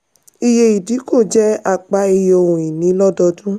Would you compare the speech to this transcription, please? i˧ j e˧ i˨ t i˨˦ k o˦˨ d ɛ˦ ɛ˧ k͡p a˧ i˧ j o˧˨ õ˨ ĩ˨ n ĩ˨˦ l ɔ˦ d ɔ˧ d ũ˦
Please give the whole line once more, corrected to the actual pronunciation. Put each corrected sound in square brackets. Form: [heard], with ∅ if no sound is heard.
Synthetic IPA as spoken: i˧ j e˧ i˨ [d] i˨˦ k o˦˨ [d͡ʒ] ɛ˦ [a˧] k͡p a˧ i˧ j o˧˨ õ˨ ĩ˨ n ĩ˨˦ l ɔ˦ d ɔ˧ d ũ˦